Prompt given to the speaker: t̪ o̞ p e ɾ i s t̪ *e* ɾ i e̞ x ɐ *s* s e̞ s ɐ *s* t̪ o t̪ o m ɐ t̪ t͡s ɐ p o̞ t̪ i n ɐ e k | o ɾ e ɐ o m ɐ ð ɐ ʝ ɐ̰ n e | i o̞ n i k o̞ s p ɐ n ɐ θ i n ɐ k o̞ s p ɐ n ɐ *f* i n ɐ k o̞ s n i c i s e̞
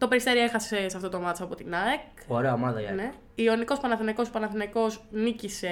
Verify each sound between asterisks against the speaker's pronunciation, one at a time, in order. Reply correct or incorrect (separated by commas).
correct, correct, incorrect, incorrect